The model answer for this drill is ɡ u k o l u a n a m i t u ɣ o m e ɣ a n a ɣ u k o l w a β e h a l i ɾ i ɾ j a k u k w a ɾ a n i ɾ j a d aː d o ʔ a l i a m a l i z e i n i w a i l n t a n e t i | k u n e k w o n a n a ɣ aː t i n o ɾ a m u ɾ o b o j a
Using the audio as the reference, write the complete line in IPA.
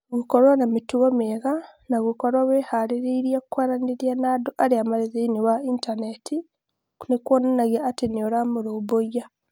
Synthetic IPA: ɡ u k o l w a n a m i t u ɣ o m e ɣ a n a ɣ u k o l w a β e h a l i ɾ i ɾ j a k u k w a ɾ a n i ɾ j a n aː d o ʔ a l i a m a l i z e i n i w a i n t a n e t i | k u n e k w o n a n a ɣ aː t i n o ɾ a m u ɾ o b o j a

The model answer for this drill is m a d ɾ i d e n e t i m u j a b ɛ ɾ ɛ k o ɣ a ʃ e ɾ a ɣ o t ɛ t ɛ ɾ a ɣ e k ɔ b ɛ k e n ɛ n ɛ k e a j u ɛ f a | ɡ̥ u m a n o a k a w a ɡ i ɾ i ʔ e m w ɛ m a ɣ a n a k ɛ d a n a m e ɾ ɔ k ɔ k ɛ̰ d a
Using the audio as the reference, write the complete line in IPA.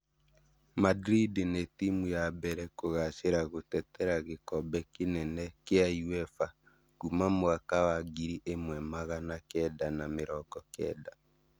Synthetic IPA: m a d ɾ i d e n e t i m u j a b ɛ ɾ ɛ k o ɣ a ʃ e ɾ a ɣ o t ɛ t ɛ ɾ a ɣ e k ɔ b ɛ k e n ɛ n ɛ k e a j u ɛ f a | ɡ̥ u m a m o a k a w a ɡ i ɾ i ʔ e m w ɛ m a ɣ a n a k ɛ d a n a m e ɾ ɔ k ɔ k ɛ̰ d a

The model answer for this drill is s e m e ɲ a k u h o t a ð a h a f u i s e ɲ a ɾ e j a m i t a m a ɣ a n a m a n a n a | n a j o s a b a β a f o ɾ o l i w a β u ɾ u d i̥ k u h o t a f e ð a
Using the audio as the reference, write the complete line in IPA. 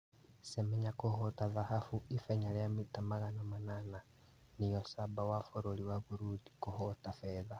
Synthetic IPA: s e m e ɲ a k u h o t a ð a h a f u i f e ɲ a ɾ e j a m i t a m a ɣ a n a m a n a n a | n i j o s a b a w a f o ɾ o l i w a β u ɾ u d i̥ k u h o t a f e ð a

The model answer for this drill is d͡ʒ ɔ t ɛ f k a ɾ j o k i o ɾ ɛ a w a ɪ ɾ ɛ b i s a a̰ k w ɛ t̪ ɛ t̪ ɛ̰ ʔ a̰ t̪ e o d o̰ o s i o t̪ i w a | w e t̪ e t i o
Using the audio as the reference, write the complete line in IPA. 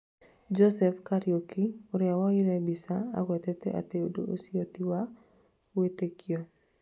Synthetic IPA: d͡ʒ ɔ s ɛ f k a ɾ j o k i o ɾ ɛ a w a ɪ ɾ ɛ b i s a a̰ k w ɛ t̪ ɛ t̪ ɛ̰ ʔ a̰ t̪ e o d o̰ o s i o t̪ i w a | w e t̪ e k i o

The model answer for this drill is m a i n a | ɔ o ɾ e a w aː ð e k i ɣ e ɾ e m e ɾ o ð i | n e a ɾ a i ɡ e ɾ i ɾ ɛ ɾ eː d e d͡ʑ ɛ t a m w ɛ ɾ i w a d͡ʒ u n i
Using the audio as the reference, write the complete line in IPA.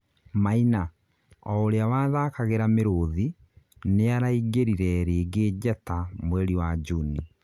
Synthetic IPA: m a i n a | ɔ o ɾ e a w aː ð a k a ɣ e ɾ a m e ɾ o ð i | n e a ɾ a i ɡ e ɾ i ɾ ɛ ɾ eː ɡ e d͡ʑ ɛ t a m w ɛ ɾ i w a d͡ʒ u n i

